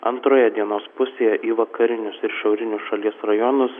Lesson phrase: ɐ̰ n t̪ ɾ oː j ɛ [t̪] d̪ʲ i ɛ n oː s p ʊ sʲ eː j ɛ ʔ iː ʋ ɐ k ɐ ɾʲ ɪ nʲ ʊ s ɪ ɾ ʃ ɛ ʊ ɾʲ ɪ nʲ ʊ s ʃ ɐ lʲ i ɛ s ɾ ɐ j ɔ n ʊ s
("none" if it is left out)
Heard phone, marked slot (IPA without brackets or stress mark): none